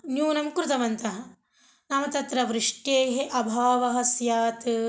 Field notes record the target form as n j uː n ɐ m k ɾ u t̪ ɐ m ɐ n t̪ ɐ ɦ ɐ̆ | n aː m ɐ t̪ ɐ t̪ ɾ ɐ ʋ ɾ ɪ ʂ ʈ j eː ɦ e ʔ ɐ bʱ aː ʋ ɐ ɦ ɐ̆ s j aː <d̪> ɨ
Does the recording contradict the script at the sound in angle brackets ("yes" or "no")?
yes